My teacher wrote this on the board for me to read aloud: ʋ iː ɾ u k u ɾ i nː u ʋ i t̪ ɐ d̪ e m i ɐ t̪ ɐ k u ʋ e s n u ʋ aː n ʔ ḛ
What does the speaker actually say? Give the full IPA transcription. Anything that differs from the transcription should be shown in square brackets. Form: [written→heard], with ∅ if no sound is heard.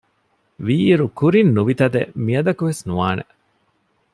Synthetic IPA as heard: ʋ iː ɾ u k u ɾ i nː u ʋ i t̪ ɐ d̪ e m i ɐ [t̪→d̪] ɐ k u ʋ e s n u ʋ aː n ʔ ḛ